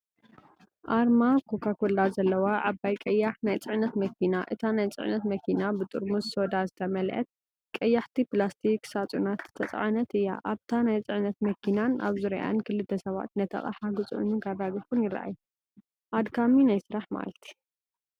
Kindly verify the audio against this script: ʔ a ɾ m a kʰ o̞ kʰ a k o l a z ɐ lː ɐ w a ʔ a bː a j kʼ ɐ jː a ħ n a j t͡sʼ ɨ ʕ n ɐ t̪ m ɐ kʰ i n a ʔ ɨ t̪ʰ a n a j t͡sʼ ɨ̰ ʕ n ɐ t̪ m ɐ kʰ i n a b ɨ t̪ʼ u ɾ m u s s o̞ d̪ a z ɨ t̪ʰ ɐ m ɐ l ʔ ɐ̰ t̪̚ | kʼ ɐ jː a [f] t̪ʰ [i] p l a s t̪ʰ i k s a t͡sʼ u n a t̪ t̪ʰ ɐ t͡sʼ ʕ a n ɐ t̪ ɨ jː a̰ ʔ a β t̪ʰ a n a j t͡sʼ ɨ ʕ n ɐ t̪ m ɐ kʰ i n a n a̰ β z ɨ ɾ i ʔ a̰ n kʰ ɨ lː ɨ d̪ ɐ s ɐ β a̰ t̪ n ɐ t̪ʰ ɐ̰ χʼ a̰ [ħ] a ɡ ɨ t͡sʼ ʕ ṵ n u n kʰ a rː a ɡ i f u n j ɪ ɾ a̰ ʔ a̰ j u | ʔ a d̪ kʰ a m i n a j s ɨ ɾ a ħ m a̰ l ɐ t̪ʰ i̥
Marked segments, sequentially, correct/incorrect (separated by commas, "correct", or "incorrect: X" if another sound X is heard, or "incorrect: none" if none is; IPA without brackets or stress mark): incorrect: ħ, correct, correct